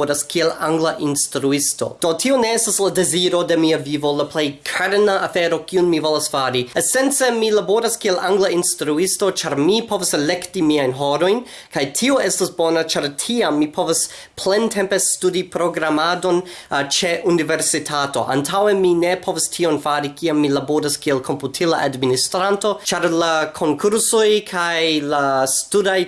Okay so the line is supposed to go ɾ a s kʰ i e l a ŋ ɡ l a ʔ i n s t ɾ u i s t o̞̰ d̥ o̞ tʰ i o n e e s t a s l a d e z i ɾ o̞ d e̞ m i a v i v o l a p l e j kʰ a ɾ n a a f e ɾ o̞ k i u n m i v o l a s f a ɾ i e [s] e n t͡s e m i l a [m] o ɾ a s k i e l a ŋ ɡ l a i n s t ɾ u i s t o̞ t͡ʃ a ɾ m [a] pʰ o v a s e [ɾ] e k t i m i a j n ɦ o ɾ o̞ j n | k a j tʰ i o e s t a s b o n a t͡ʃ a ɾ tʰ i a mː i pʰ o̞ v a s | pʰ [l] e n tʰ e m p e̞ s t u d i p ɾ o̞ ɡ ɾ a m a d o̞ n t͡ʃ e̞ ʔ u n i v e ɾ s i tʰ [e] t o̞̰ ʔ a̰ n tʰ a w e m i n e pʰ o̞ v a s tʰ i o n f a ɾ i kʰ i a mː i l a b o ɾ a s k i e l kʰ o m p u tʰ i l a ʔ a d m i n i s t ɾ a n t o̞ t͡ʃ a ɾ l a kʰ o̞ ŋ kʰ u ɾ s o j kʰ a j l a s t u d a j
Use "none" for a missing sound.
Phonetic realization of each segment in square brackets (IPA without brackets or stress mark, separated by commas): s, b, i, l, l, a